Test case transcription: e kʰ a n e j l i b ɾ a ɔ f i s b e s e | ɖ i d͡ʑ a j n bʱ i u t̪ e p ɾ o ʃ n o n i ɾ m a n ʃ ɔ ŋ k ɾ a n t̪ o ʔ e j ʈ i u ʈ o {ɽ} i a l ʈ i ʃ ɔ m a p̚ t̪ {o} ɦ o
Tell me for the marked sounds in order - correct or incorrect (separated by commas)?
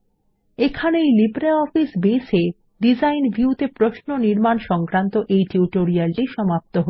incorrect, correct